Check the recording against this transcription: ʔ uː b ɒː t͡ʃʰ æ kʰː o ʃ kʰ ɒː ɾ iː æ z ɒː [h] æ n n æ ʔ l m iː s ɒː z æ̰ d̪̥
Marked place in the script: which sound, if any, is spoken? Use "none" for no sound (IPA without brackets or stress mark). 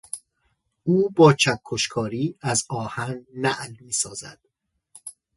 h